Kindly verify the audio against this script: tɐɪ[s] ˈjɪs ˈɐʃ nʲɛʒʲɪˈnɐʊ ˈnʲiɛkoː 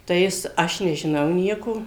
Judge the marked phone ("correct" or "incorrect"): incorrect